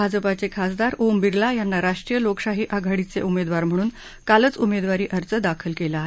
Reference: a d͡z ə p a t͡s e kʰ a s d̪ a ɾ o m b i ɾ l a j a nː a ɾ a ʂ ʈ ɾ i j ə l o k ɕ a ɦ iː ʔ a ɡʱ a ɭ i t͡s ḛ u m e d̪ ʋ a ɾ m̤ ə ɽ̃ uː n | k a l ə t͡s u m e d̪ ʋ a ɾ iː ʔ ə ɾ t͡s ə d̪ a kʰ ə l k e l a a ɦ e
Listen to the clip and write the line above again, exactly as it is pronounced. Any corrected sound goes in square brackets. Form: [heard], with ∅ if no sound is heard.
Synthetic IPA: a d͡z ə p a t͡s e kʰ a s d̪ a ɾ o m b i ɾ l a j a nː a ɾ a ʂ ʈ ɾ i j ə l o k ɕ a ɦ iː ʔ a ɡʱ a [ɽ] i t͡s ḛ u m e d̪ ʋ a ɾ m̤ ə ɽ̃ uː n | k a l ə t͡s u m e d̪ ʋ a ɾ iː ʔ ə ɾ t͡s ə d̪ a kʰ ə l k e l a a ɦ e

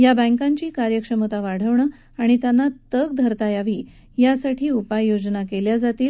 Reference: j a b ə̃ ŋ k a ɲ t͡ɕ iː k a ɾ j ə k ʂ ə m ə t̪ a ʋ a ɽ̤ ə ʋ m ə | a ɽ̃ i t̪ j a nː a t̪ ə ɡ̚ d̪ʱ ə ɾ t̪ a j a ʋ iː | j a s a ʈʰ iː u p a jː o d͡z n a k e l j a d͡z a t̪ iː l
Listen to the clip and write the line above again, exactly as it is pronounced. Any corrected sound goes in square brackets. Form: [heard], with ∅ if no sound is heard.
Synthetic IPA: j a b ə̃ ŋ k a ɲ t͡ɕ iː k a ɾ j ə k ʂ ə m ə t̪ a ʋ a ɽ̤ ə ʋ [ɳ] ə | a ɽ̃ i t̪ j a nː a t̪ ə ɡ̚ d̪ʱ ə ɾ t̪ a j a ʋ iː | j a s a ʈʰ iː u p a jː o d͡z n a k e l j a d͡z a t̪ iː l

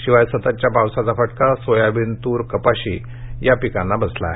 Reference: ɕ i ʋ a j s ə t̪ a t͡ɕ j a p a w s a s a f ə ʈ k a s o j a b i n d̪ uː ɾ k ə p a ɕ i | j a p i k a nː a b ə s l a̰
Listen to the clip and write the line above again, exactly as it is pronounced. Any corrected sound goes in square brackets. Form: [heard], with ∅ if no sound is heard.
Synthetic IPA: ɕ i ʋ a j s ə t̪ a t͡ɕ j a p a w s a [t͡s] a f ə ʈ k a s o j a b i n [t̪] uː ɾ k ə p a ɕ i | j a p i k a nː a b ə s l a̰

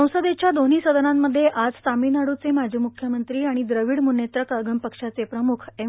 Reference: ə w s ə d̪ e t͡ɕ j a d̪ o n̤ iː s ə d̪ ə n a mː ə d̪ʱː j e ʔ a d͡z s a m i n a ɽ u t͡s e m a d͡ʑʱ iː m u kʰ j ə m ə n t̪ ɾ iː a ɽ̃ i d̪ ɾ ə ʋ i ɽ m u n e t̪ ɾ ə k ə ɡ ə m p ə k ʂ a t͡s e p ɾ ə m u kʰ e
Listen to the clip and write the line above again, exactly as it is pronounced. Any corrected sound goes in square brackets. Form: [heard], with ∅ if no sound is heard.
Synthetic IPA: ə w s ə d̪ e t͡ɕ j a d̪ o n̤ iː s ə d̪ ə n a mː ə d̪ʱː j e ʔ a d͡z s a m i n a ɽ u t͡s e m a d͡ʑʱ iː m u kʰ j ə m ə n t̪ ɾ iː a ɽ̃ i d̪ ɾ ə ʋ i ɽ m u n e t̪ ɾ ə k ə ɡ ə m p ə k ʂ a t͡s e p ɾ ə m u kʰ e

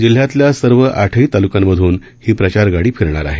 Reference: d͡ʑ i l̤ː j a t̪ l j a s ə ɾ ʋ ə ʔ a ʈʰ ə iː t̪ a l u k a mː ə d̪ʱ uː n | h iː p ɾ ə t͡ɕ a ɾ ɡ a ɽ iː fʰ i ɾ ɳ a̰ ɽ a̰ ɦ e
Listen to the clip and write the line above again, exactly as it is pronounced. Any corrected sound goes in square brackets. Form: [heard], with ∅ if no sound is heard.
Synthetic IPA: d͡ʑ i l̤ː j a t̪ l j a s ə ɾ ʋ ə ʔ a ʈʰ ə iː t̪ a l u k a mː ə d̪ʱ uː n | h iː p ɾ ə t͡ɕ a ɾ ɡ a ɽ iː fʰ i ɾ ɳ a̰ [ɾ] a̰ ɦ e

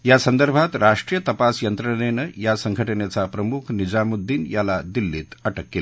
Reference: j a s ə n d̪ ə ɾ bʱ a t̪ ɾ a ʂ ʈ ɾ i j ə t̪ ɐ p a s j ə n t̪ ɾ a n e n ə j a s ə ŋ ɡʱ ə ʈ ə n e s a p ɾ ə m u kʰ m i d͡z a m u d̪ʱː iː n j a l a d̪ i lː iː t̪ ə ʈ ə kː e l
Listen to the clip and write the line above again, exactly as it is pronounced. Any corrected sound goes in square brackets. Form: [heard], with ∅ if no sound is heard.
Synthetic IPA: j a s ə n d̪ ə ɾ bʱ a t̪ ɾ a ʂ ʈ ɾ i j ə t̪ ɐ p a s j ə n t̪ ɾ [ə] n e n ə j a s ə ŋ ɡʱ ə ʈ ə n e [t͡s] a p ɾ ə m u kʰ [n] i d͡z a m u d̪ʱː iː n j a l a d̪ i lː iː t̪ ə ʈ ə kː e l

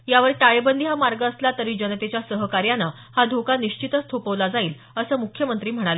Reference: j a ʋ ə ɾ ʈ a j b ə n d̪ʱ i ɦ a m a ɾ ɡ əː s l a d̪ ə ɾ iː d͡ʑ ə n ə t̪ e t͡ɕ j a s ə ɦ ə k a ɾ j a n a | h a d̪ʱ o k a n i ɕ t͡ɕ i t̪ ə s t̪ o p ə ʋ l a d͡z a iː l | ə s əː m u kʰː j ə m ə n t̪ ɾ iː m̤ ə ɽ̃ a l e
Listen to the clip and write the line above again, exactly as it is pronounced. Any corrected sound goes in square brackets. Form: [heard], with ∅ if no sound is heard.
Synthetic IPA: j a ʋ ə ɾ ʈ a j b ə n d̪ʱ i ɦ a m a ɾ ɡ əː s l a [t̪] ə ɾ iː d͡ʑ ə n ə t̪ e t͡ɕ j a s ə ɦ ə k a ɾ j a n a | h a d̪ʱ o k a n i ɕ t͡ɕ i t̪ ə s [t̪ʰ] o p ə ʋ l a d͡z a iː l | ə s əː m u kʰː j ə m ə n t̪ ɾ iː m̤ ə ɽ̃ a l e

